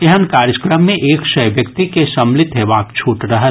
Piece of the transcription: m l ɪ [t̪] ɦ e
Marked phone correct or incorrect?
correct